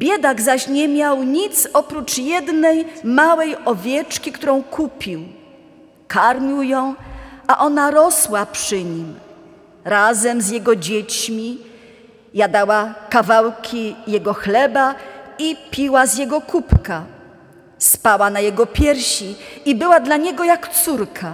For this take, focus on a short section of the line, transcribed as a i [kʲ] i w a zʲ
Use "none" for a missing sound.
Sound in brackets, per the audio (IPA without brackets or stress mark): pʲ